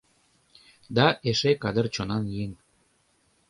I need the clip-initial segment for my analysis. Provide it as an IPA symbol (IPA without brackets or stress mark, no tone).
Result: d̪